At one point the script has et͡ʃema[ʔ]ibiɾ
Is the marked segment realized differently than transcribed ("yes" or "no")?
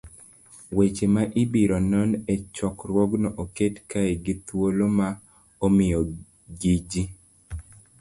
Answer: no